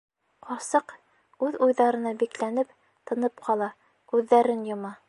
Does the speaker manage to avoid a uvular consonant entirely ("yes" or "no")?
no